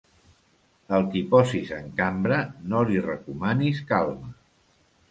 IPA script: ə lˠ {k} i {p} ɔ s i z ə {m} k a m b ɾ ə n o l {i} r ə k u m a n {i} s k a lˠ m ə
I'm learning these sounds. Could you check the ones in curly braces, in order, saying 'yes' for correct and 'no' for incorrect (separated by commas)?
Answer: yes, yes, no, yes, yes